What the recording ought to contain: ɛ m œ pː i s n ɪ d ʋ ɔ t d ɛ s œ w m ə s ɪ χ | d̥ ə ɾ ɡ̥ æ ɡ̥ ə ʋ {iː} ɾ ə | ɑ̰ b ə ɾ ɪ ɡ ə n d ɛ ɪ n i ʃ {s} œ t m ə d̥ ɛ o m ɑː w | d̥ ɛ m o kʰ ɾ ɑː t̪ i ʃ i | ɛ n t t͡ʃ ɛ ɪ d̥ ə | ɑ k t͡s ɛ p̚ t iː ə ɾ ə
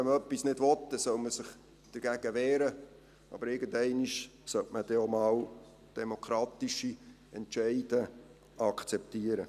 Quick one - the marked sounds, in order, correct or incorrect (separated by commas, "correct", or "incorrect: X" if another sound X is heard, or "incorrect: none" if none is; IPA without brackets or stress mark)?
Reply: incorrect: ɛː, correct